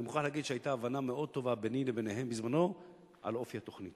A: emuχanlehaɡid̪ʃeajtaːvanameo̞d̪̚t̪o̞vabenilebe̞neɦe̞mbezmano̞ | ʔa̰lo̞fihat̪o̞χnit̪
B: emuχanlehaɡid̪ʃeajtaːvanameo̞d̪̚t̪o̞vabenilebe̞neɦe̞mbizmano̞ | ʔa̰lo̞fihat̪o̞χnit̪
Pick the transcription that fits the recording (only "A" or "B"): B